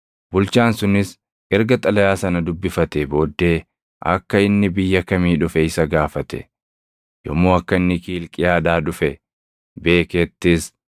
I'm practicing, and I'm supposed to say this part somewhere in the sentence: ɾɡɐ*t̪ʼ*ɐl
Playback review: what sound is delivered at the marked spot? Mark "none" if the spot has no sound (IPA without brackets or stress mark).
t̪ʼ